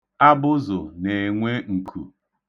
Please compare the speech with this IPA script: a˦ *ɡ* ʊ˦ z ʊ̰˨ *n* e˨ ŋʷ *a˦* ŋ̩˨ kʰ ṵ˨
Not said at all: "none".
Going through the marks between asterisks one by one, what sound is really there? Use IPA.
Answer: b, n, e˦

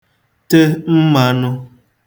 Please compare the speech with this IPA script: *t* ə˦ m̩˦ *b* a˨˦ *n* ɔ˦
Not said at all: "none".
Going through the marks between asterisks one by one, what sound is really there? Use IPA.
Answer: t, m, n

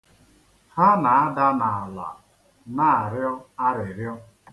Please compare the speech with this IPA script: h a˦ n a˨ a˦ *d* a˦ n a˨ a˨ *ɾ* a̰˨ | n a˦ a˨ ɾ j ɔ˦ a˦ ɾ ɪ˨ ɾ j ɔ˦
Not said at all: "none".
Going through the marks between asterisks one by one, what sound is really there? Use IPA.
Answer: d, l

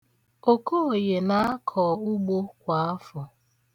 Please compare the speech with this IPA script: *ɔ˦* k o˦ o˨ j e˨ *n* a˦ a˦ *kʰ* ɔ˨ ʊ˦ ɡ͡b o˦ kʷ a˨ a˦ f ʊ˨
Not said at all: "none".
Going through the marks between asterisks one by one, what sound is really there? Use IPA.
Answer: o˦, n, kʰ

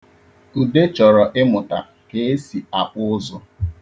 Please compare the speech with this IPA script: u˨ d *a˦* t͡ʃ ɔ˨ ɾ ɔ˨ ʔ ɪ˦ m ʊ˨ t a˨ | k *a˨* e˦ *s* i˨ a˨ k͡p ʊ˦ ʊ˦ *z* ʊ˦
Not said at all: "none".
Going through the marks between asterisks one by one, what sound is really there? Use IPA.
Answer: e˦, e˨, s, z

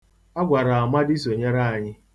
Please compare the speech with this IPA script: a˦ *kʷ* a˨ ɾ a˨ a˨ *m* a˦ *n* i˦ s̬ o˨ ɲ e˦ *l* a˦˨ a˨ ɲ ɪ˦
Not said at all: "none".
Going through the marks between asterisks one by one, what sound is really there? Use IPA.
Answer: ɡʷ, m, d, ɾ

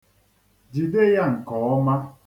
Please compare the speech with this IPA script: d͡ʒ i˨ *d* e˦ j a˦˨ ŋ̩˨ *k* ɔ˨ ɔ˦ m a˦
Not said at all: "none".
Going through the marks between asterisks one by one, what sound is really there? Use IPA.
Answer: d, k

